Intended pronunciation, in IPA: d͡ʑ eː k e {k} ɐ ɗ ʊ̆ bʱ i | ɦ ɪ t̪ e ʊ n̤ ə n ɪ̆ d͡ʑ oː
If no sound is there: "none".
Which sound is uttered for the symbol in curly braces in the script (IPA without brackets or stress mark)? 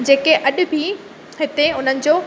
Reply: ʔ